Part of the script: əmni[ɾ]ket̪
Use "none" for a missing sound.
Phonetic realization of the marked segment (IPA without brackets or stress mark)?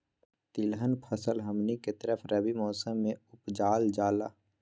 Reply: none